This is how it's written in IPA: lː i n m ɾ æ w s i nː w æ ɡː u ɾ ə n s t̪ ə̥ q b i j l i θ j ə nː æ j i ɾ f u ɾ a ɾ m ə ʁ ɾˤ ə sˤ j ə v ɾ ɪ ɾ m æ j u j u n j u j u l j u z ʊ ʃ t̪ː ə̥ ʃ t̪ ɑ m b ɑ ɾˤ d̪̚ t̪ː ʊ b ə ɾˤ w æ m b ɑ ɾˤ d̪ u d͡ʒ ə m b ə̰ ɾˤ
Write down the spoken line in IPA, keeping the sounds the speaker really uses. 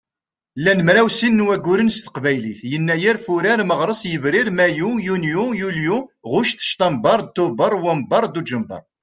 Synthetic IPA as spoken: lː æ n m ɾ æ w s i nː w æ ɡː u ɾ ə n s t̪ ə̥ q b æ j l i θ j ə nː æ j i ɾ f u ɾ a ɾ m ə ʁ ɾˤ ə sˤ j ə v ɾ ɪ ɾ m æ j u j u n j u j u l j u ʁ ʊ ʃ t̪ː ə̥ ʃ t̪ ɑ m b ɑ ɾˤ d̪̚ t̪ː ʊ b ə ɾˤ w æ m b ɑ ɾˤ d̪ u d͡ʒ ə m b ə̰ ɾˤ